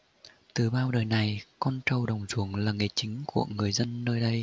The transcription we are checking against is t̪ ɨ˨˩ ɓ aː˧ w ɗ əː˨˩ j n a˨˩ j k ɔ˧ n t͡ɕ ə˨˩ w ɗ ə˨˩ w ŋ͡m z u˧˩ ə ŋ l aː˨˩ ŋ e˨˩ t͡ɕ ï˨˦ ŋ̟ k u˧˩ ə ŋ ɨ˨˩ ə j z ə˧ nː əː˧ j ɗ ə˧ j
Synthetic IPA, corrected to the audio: t̪ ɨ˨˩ ɓ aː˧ w ɗ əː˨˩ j n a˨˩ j k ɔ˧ n t͡ɕ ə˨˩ w ɗ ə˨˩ w ŋ͡m z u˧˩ ə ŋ l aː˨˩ ŋ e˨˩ t͡ɕ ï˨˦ ŋ̟ k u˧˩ ə ŋ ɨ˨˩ ə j z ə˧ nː əː˧ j ɗ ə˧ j